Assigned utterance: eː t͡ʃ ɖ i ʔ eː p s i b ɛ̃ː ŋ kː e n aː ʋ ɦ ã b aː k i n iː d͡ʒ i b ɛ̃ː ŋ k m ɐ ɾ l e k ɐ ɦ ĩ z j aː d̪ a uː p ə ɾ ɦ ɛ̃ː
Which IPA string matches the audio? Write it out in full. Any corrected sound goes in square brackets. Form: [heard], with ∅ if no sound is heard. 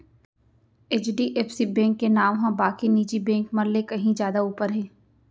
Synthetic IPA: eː t͡ʃ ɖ i ʔ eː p s i b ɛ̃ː ŋ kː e n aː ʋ ɦ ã b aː k i n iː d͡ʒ i b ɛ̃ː ŋ k m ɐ ɾ l e k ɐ ɦ ĩ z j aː d̪ a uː p ə ɾ ɦ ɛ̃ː